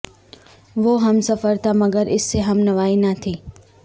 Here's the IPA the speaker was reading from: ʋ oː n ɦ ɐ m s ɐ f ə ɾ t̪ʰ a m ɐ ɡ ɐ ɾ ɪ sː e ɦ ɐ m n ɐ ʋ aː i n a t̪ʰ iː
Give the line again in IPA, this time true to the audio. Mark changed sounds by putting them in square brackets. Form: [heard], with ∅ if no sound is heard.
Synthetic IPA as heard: ʋ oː [∅] ɦ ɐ m s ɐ f ə ɾ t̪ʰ a m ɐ ɡ [ə] ɾ ɪ sː e ɦ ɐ m n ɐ ʋ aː i n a t̪ʰ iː